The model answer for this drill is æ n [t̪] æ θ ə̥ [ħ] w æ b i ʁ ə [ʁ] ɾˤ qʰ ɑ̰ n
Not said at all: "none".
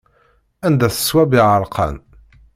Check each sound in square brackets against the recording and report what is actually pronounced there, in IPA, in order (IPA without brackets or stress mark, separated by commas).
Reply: d̪, s, none